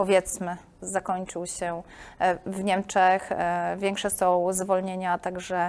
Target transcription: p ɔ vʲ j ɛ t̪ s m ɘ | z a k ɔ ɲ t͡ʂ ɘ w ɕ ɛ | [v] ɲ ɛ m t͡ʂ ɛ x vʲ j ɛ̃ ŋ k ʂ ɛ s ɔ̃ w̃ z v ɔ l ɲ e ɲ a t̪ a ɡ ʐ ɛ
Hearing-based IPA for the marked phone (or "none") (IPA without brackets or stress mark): v